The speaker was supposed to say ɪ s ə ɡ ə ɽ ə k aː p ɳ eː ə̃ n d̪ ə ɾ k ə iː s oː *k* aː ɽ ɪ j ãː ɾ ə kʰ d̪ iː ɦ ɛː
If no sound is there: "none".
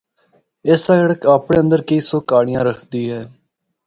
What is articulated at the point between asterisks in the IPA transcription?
k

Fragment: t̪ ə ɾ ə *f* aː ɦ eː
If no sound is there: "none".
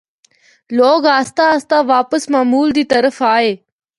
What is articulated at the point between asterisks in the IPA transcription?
f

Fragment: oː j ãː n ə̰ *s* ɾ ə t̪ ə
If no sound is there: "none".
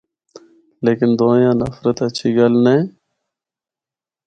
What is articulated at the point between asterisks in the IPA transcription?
f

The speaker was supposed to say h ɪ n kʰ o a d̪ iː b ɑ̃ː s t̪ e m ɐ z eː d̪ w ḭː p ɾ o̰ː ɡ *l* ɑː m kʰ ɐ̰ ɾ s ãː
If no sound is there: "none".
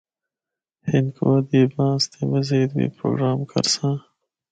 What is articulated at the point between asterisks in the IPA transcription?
ɾ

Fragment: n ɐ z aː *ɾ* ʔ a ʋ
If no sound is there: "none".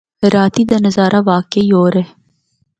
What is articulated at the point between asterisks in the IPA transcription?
ɾ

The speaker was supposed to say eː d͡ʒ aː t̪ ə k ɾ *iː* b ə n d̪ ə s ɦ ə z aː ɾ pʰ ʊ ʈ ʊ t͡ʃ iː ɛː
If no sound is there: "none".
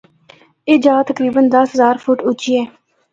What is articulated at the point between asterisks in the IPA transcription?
iː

